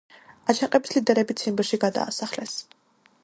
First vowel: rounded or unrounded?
unrounded